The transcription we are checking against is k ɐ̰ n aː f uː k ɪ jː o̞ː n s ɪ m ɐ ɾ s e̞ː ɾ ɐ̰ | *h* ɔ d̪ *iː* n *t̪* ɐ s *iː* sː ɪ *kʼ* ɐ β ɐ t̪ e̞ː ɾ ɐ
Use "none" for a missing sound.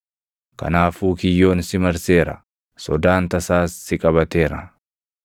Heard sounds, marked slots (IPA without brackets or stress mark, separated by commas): s, aː, t̪, aː, kʼ